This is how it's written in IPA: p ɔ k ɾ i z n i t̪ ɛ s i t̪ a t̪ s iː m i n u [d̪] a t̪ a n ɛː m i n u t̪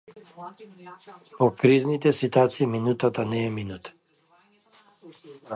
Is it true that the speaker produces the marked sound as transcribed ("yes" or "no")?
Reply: no